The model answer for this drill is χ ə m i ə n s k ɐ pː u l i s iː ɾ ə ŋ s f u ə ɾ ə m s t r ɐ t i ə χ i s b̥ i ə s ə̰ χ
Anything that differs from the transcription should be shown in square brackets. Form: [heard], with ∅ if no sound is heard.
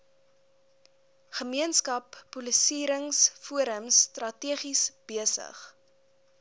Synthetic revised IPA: χ ə m i ə n s k ɐ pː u l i s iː ɾ ə ŋ s f u ə ɾ ə m s t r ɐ t i ə χ i s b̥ i ə s ə̰ χ